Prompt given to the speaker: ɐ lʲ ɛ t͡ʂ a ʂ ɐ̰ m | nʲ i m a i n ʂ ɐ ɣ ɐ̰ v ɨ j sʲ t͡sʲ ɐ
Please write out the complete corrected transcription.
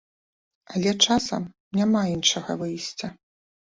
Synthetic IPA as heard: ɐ lʲ ɛ t͡ʂ a s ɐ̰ m | nʲ a m a i n ʂ ɐ ɣ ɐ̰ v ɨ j sʲ t͡sʲ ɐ